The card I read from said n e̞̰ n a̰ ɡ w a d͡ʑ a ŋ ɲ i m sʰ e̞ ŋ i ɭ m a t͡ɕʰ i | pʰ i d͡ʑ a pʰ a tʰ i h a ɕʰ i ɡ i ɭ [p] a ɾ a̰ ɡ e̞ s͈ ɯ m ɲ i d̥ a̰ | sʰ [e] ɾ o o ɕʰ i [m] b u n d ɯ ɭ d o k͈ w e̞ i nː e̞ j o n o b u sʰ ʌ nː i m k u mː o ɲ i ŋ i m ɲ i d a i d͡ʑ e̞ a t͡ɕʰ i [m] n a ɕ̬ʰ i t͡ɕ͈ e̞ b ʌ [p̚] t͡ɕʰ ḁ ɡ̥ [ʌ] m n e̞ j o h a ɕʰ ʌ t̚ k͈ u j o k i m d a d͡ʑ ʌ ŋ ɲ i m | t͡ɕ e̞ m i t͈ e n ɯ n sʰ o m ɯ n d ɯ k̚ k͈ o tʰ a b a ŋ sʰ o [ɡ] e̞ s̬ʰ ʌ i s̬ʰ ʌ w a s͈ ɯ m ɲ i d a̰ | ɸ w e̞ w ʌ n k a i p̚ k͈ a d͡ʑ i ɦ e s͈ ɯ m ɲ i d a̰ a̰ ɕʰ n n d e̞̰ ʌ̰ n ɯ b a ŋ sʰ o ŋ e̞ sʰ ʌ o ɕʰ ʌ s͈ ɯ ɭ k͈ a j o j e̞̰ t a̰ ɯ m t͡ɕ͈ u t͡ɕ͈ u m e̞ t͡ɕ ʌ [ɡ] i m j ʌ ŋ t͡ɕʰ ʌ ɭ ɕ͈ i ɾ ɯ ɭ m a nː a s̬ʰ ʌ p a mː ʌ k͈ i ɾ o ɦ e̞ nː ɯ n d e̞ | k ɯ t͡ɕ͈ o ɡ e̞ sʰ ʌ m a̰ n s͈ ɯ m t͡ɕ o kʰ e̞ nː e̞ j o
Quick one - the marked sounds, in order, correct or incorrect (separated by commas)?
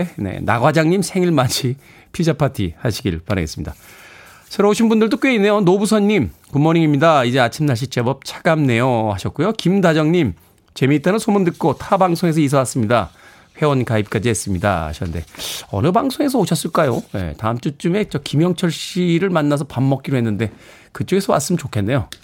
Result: correct, correct, incorrect, correct, correct, incorrect, incorrect, incorrect